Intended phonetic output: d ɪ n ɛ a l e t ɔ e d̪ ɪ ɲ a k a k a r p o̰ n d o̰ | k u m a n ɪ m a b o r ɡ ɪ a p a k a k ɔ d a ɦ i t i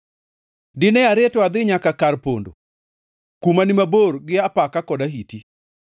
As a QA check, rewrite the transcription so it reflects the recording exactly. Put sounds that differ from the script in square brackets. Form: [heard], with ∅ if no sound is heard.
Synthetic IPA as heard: d ɪ n ɛ a [ɾ] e t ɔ [a] d̪ ɪ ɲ a k a k a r p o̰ n d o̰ | k u m a n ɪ m a b o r ɡ ɪ a p a k a k ɔ d a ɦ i t i